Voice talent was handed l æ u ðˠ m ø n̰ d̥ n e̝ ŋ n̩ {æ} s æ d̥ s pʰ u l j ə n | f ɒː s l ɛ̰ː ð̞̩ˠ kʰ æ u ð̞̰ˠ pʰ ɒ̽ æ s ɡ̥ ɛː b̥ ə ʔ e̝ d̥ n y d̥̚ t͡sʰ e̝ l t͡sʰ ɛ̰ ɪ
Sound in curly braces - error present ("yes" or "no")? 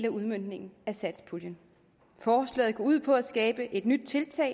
no